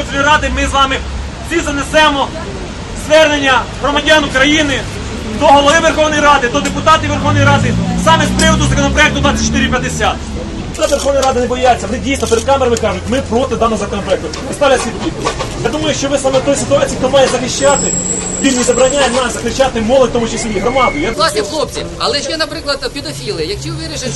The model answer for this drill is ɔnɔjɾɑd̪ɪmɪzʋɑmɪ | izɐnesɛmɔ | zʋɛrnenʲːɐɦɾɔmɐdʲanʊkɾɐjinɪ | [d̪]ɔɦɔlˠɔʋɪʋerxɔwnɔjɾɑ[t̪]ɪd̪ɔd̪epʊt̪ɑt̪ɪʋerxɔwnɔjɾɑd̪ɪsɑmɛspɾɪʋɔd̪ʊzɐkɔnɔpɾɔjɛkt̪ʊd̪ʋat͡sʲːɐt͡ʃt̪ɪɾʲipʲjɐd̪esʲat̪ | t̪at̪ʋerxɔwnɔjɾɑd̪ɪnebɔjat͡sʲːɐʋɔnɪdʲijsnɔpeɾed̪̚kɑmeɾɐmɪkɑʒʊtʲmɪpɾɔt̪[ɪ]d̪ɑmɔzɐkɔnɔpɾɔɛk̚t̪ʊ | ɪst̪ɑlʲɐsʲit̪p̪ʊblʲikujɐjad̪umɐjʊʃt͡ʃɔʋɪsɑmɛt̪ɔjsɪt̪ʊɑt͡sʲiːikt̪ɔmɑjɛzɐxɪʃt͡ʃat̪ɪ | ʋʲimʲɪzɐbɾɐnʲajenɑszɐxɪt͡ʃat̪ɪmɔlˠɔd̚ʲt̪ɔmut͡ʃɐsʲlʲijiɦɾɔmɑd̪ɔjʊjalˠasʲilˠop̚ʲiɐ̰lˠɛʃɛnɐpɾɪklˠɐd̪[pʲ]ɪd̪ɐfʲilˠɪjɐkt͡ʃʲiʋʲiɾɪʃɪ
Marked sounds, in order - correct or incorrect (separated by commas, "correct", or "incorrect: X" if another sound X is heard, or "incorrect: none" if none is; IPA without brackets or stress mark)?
correct, incorrect: d̪, correct, correct